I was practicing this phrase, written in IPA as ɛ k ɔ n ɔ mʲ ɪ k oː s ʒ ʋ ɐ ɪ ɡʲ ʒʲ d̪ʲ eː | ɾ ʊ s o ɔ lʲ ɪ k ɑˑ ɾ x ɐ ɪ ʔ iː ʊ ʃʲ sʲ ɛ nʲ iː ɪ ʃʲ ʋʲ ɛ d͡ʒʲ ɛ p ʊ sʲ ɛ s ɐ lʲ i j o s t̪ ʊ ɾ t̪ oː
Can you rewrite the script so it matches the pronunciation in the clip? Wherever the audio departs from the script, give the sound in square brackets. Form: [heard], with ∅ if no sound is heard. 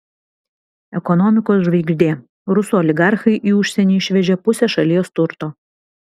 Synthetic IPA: ɛ k ɔ n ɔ mʲ ɪ k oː s ʒ ʋ ɐ ɪ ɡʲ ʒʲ d̪ʲ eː | ɾ ʊ s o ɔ lʲ ɪ [ɡ] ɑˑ ɾ x ɐ ɪ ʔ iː ʊ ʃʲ sʲ ɛ nʲ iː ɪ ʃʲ ʋʲ ɛ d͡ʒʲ ɛ p ʊ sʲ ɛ [ʃ] ɐ lʲ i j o s t̪ ʊ ɾ t̪ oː